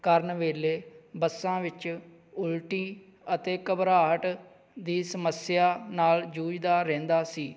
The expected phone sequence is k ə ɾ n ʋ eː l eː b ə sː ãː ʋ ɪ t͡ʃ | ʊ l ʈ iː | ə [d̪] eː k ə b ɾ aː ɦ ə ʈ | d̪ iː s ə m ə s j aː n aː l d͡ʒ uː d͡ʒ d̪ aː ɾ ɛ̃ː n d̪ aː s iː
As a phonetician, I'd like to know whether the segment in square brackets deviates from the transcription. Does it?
yes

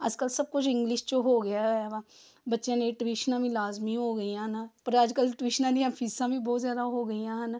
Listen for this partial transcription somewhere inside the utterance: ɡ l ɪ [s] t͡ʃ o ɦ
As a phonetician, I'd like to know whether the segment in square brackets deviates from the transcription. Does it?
yes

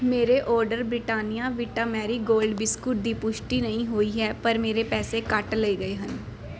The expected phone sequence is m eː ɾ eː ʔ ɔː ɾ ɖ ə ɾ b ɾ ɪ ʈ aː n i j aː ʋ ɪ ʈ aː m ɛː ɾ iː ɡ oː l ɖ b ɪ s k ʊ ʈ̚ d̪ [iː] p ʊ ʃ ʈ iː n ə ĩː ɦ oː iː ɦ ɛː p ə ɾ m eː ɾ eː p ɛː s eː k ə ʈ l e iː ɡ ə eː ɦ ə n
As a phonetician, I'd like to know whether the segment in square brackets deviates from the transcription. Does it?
no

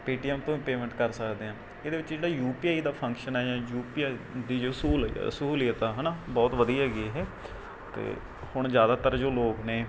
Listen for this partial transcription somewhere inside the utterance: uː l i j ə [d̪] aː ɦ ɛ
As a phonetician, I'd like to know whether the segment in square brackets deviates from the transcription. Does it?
yes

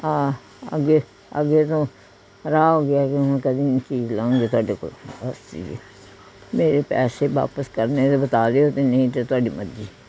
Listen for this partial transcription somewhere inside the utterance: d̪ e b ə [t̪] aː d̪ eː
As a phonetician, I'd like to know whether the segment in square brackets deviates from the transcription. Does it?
no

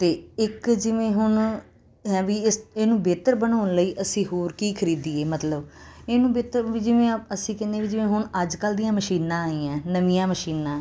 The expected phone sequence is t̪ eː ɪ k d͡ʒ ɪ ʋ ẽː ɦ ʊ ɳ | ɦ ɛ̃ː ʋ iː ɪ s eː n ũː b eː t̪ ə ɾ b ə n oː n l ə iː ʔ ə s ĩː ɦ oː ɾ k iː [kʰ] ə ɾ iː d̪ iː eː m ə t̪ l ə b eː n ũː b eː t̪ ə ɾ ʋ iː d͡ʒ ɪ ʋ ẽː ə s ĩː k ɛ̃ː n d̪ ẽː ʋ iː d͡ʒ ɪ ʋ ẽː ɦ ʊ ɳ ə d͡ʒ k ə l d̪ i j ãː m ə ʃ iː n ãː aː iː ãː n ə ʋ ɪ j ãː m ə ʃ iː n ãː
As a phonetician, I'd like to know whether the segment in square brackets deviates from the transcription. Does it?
no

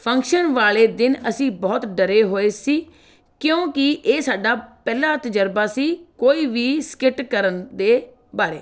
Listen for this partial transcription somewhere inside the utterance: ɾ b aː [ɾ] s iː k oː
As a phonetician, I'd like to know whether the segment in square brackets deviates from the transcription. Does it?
yes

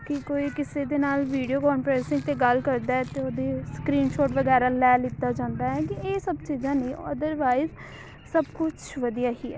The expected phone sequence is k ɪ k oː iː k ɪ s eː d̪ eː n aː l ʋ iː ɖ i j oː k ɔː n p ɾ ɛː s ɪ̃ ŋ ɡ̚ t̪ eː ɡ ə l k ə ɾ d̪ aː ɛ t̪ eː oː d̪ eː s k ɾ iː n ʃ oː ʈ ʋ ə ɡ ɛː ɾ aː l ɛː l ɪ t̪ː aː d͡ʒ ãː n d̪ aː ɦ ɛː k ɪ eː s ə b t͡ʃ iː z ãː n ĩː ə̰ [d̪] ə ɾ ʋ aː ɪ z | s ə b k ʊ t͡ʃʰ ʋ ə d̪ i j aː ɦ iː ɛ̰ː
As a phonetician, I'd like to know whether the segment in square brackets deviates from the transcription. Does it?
no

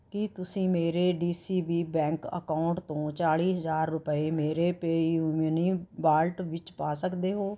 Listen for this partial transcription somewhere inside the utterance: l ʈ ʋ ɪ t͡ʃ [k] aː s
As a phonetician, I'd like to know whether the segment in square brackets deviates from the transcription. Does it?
yes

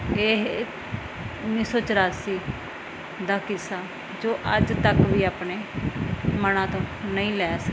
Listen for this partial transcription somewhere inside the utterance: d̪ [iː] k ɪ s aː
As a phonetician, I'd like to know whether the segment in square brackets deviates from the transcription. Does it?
yes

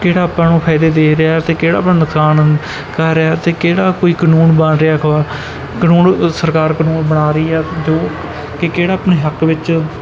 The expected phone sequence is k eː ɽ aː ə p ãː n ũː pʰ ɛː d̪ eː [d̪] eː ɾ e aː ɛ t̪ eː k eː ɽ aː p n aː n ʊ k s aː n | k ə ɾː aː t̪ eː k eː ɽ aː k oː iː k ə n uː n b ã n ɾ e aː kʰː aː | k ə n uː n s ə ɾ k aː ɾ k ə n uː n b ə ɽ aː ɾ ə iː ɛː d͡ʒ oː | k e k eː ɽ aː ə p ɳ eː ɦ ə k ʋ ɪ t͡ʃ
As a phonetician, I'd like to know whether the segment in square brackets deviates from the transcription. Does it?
no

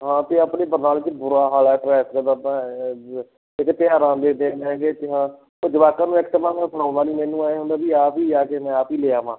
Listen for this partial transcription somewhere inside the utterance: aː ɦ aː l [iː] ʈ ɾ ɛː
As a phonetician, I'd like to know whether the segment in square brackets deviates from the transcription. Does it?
yes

